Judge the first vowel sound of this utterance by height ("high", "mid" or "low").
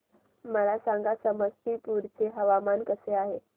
mid